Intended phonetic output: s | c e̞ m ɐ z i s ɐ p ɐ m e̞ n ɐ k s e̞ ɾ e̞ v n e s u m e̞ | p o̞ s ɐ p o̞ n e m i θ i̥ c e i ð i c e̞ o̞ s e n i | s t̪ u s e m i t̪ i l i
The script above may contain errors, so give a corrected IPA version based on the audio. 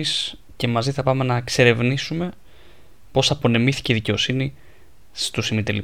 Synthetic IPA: s | c e̞ m ɐ z i θ ɐ p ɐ m e̞ n ɐ k s e̞ ɾ e̞ v n i s u m e̞ | p o̞ s ɐ p o̞ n e m i θ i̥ c e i ð i c e̞ o̞ s i n i | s t̪ u s i m i t̪ e l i